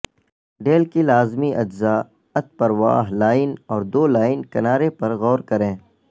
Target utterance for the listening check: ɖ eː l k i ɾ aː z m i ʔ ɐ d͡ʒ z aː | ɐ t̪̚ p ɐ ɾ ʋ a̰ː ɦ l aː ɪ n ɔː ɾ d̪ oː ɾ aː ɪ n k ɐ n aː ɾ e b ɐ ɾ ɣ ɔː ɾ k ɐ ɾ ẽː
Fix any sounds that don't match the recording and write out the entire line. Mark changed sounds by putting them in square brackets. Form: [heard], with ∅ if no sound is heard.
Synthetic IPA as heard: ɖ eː l k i [l] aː z m i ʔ ɐ d͡ʒ z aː | ɐ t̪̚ p ɐ ɾ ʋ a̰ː ɦ l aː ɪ n ɔː ɾ d̪ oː [l] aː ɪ n k ɐ n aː ɾ e [p] ɐ ɾ ɣ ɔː ɾ k ɐ ɾ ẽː